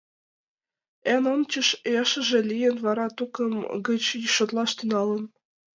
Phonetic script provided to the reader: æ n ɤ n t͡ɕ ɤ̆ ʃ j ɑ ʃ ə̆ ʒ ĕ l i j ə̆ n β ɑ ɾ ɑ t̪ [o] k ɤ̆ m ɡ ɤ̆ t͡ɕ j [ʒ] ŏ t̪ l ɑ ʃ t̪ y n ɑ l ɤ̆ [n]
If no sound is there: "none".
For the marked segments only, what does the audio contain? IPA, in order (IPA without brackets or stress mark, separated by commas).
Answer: u, ʃ, n